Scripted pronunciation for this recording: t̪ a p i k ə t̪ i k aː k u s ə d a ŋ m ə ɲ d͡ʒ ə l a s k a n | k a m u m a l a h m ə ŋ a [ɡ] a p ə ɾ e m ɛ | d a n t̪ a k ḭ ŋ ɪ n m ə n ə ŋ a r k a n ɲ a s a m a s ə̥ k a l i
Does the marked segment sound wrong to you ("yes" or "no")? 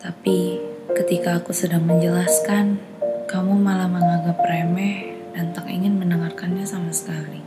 no